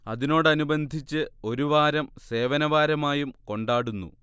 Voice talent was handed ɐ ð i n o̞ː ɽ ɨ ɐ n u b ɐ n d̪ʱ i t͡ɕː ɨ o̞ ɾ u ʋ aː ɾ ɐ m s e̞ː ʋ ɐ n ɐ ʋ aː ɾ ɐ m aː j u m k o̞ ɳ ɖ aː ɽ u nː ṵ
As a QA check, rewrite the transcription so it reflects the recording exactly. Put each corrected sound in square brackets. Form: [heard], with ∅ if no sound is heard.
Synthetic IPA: ɐ ð i n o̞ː ɽ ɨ ɐ n u b ɐ n d̪ʱ i t͡ɕː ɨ o̞ ɾ u ʋ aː ɾ ɐ m s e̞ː ʋ ɐ n ɐ ʋ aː ɾ ɐ m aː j u m k o̞ ɳ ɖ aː ɽ u nː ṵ